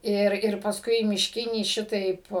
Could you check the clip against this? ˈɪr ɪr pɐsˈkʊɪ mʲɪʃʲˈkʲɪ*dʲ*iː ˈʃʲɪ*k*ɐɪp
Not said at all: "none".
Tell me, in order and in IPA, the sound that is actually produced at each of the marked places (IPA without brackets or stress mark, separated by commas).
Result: nʲ, t